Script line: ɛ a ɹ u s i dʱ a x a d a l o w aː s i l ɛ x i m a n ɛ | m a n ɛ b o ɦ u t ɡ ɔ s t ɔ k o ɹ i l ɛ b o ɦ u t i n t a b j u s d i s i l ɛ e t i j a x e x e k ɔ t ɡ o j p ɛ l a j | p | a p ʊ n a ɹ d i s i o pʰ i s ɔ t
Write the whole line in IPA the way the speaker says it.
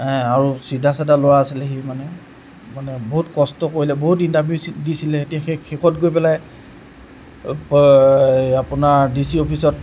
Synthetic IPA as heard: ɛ a ɹ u s i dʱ a s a d a l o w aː s i l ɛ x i m a n ɛ | m a n ɛ b o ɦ u t k ɔ s t ɔ k o ɹ i l ɛ b o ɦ u t i n t a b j u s d i s i l ɛ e t i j a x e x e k ɔ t ɡ o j p ɛ l a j | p | a p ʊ n a ɹ d i s i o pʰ i s ɔ t